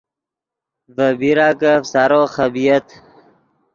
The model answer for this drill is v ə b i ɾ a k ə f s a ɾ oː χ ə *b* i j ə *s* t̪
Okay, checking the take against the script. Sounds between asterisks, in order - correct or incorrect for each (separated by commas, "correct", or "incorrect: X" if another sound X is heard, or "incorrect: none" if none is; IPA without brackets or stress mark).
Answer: correct, incorrect: none